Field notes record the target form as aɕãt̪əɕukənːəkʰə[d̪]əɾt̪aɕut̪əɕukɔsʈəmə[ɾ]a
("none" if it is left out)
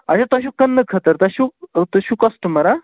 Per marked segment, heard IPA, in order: t̪, ɾ

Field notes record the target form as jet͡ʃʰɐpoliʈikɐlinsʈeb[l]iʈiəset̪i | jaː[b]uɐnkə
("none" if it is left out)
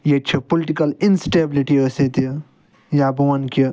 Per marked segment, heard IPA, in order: l, b

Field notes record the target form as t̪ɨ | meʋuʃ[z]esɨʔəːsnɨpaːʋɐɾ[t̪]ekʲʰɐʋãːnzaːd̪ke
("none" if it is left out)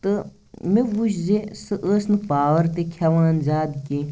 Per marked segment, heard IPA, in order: z, t̪

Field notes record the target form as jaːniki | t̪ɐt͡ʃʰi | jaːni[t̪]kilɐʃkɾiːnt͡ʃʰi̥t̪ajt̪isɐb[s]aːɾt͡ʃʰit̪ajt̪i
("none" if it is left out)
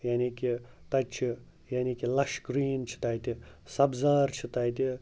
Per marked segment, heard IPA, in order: none, z

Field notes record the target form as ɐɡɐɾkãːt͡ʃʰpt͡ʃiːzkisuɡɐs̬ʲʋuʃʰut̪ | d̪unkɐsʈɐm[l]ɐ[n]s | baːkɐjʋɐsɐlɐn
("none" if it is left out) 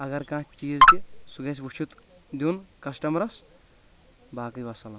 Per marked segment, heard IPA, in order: ɾ, none

